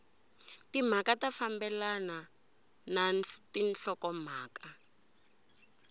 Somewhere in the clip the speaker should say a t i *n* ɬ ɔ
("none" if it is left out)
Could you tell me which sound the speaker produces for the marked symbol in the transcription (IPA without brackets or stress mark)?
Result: n